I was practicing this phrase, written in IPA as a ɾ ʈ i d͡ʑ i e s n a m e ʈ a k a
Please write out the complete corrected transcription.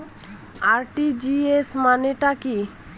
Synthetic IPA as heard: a ɾ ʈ i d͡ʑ i e s m a n e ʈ a k i